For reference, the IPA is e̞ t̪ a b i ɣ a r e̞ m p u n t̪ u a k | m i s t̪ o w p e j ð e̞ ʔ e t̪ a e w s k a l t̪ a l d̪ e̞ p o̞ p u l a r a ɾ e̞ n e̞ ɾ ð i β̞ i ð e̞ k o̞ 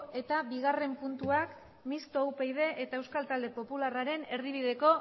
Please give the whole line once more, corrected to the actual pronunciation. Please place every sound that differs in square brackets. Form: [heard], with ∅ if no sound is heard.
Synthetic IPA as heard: e̞ t̪ a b i ɣ a r e̞ m p u n t̪ u a k | m i s t̪ o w p e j ð e̞ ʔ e t̪ a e w s k a l t̪ a l d̪ e̞ p o̞ p u l a r a ɾ e̞ n e̞ ɾ ð i β̞ i ð e̞ k o̞